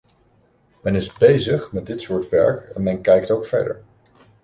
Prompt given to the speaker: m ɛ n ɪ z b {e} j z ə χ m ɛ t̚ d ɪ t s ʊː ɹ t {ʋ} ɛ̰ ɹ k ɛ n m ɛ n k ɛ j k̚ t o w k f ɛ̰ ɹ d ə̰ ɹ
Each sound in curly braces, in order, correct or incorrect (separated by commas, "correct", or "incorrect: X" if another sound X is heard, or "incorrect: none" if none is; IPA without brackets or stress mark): correct, correct